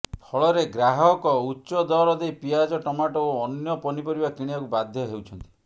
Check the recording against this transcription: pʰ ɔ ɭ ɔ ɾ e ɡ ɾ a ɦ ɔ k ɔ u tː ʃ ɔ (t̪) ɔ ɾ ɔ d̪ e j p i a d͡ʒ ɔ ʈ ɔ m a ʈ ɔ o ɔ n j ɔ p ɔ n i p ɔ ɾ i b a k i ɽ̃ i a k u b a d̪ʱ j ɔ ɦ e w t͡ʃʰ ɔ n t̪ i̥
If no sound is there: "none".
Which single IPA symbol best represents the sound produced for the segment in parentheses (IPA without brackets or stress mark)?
d̪